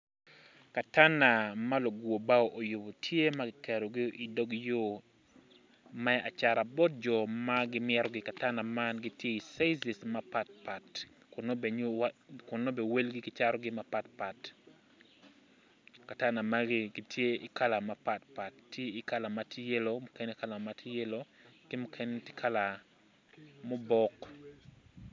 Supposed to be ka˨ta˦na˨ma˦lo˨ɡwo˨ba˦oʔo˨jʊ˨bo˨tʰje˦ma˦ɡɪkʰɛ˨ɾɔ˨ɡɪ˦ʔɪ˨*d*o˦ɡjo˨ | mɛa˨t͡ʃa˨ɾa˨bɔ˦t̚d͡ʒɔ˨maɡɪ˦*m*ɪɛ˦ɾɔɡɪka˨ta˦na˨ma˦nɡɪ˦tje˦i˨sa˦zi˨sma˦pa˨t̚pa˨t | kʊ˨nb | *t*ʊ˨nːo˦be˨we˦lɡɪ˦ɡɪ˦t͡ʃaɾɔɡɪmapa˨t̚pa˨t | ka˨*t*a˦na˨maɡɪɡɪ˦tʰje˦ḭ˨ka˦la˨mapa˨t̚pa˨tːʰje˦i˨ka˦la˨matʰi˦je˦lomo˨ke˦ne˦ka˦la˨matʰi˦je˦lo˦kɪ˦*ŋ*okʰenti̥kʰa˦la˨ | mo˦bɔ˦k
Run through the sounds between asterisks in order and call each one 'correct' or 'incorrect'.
correct, correct, incorrect: k, correct, incorrect: m

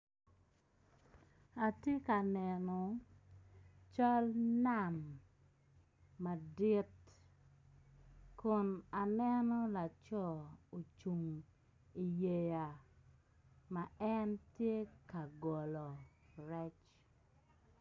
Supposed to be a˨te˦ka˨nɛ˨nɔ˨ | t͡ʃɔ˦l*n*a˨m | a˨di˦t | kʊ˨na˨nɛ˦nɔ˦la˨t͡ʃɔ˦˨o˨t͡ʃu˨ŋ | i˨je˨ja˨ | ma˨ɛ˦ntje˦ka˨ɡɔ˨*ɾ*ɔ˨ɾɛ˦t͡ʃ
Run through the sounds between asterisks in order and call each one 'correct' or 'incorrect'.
correct, incorrect: l

